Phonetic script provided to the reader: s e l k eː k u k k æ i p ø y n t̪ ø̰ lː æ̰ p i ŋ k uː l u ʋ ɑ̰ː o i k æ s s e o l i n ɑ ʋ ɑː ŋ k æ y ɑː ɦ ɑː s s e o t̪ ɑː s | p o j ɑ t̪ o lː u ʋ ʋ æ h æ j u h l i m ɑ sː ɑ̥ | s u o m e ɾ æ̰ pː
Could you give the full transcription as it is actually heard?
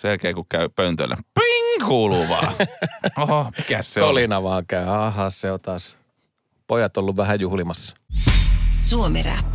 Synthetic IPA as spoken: s e l k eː k u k k æ y p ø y n t̪ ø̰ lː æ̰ p i ŋ k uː l u ʋ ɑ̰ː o i k æ s s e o l i n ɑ ʋ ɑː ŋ k æ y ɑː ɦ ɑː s s e o t̪ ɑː s | p o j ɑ t̪ o lː u ʋ ʋ æ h æ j u h l i m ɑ sː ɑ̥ | s u o m e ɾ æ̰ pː